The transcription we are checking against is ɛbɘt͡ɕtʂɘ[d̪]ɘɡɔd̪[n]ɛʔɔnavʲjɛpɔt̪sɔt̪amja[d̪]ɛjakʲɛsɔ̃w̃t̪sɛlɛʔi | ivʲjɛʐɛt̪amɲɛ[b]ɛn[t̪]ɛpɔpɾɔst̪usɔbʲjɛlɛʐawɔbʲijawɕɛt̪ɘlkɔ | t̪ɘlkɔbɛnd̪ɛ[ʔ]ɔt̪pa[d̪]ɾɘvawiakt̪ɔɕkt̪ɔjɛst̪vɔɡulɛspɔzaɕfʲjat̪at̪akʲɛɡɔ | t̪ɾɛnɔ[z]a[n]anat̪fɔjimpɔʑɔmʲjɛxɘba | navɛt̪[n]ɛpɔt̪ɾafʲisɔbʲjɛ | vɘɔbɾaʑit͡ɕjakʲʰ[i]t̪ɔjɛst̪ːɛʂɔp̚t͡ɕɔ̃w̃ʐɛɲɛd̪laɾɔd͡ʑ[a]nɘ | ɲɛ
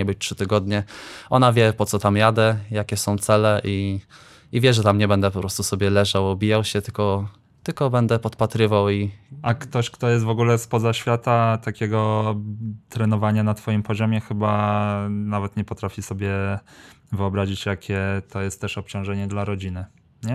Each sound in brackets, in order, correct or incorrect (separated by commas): incorrect, incorrect, correct, correct, incorrect, incorrect, incorrect, incorrect, incorrect, incorrect, incorrect, incorrect